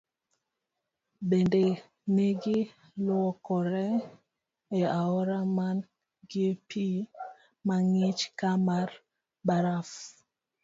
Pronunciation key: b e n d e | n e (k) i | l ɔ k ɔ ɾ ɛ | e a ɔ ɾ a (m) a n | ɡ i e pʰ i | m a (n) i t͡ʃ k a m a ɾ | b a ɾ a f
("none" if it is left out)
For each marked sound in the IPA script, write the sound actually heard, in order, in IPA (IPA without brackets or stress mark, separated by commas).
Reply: ɡ, m, ŋ